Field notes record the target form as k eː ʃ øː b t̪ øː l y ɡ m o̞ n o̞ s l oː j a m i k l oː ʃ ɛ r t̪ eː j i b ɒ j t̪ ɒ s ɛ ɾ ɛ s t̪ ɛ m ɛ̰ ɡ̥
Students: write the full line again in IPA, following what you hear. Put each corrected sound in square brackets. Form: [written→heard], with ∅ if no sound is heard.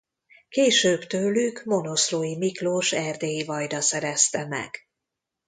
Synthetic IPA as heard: k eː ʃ øː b t̪ øː l y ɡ m o̞ n o̞ s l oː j [a→i] m i k l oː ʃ ɛ r [t̪→d̪] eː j i [b→v] ɒ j [t̪→d̪] ɒ s ɛ ɾ ɛ s t̪ ɛ m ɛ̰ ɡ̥